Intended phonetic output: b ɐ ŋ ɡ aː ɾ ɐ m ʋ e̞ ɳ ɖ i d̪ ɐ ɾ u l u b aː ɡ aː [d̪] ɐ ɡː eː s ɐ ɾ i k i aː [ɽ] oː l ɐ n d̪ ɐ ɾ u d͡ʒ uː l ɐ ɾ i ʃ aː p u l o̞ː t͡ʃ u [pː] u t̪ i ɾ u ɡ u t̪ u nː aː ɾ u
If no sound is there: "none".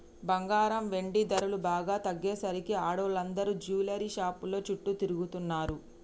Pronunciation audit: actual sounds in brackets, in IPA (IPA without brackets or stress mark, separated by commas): t̪, ɽ, ʈː